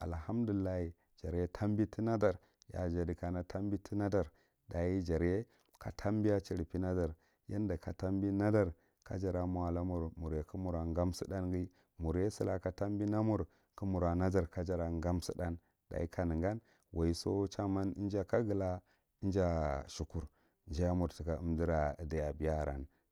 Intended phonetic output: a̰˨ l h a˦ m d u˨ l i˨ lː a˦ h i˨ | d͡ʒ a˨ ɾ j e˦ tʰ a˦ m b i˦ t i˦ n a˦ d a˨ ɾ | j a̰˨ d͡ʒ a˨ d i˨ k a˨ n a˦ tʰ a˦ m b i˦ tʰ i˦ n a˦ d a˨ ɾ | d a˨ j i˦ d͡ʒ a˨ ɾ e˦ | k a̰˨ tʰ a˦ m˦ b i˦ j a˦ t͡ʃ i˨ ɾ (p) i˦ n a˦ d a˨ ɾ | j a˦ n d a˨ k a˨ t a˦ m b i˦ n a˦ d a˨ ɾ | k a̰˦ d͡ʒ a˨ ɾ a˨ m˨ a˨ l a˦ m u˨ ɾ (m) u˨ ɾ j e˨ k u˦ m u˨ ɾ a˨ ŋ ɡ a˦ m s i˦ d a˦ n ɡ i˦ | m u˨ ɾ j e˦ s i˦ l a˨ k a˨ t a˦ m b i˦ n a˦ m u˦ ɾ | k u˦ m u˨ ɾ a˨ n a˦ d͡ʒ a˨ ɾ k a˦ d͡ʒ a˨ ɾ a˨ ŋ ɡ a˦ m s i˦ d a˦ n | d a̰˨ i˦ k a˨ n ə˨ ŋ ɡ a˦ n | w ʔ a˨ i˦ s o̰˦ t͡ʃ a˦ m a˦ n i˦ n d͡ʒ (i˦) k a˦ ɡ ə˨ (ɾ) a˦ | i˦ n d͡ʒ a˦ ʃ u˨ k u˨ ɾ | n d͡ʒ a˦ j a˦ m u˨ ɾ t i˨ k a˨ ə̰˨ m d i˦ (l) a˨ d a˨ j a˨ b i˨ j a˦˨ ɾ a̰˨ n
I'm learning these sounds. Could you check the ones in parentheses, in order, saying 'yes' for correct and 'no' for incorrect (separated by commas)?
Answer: yes, yes, no, no, no